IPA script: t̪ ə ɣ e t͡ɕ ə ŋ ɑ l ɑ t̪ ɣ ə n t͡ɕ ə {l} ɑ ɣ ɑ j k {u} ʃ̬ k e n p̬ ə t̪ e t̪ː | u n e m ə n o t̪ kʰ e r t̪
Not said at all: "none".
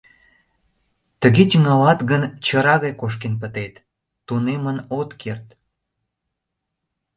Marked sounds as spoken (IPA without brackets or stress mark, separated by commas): ɾ, o